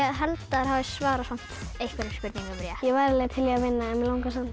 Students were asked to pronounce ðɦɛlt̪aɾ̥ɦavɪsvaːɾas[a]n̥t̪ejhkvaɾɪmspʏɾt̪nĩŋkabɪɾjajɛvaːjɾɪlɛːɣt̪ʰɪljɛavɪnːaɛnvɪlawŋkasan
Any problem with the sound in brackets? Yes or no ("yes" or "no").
no